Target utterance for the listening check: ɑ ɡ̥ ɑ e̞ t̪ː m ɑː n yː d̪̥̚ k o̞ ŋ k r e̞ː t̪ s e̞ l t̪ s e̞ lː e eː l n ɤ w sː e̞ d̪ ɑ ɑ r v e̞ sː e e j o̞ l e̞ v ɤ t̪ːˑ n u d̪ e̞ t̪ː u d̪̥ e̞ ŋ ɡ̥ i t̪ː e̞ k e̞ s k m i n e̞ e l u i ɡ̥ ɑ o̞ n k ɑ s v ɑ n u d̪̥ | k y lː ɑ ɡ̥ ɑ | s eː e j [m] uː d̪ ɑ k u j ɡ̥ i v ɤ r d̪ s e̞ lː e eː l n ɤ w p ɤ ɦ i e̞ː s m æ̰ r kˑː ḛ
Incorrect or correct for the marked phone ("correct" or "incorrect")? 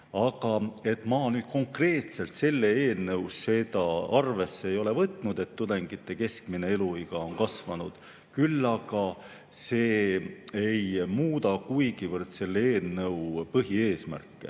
correct